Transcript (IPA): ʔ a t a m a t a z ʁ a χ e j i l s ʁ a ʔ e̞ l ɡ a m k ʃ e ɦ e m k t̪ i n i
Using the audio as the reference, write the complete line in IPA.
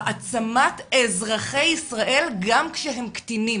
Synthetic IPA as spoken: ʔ a t͡s a m a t e z ʁ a χ e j i s ʁ a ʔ e̞ l ɡ a m k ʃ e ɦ e m k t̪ i n i